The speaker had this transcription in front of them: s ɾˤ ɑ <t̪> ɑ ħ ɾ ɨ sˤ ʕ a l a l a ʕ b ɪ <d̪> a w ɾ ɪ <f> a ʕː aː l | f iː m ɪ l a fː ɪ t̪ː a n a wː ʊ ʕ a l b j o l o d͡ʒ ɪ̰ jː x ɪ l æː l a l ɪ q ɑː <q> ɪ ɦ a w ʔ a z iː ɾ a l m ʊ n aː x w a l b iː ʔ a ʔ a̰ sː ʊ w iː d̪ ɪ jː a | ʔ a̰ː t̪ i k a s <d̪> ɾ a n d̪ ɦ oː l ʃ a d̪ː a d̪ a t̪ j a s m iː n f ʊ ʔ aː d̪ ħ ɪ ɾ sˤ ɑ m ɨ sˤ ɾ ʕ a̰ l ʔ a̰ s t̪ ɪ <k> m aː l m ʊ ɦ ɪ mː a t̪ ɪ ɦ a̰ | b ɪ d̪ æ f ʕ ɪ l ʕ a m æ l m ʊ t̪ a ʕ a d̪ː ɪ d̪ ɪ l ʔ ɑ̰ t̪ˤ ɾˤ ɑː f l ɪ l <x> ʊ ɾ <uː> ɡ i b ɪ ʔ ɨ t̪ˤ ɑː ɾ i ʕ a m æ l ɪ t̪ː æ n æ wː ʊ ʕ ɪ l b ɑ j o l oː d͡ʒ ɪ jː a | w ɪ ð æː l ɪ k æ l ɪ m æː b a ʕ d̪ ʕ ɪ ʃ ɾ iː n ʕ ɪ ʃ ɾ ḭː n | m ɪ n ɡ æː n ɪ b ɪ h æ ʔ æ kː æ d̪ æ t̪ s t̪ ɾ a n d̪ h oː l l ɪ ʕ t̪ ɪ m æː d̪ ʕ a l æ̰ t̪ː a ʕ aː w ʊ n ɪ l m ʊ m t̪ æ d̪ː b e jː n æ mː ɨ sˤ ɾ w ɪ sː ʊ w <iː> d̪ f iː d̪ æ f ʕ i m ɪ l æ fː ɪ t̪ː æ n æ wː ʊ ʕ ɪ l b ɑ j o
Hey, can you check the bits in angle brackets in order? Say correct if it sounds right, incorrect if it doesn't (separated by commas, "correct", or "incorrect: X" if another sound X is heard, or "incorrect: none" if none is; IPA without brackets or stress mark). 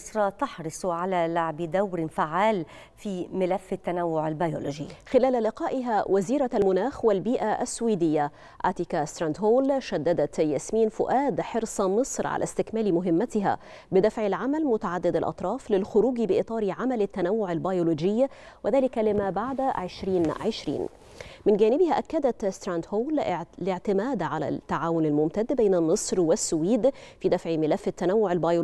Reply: correct, correct, correct, incorrect: ʔ, incorrect: t̪, correct, correct, correct, correct